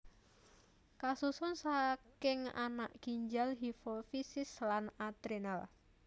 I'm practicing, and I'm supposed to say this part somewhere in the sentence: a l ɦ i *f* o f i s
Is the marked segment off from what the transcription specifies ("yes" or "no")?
no